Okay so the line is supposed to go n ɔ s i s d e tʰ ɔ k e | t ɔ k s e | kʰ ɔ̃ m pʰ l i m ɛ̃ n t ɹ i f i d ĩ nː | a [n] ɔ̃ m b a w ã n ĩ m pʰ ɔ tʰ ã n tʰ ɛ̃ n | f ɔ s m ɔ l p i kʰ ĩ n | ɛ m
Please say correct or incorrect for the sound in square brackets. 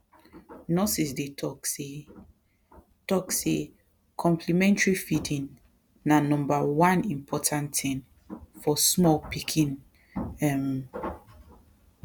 correct